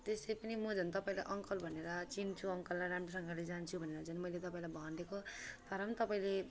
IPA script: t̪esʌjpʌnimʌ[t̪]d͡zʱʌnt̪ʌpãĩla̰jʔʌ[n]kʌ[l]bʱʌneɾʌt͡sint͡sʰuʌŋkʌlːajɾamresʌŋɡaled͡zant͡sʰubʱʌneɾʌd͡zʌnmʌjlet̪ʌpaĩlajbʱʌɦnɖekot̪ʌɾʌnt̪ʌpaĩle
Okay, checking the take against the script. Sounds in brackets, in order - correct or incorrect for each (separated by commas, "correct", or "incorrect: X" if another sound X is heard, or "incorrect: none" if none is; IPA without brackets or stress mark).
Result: incorrect: none, incorrect: ŋ, correct